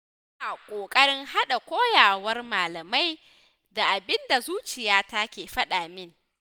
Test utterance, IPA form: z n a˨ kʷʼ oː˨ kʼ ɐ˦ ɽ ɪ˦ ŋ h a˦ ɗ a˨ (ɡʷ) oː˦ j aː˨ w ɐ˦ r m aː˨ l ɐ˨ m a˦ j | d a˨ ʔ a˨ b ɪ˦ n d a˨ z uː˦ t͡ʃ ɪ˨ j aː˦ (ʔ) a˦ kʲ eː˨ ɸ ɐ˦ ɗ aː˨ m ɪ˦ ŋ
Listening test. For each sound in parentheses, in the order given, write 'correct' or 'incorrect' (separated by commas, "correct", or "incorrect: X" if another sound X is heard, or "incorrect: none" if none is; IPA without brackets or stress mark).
incorrect: kʷ, incorrect: t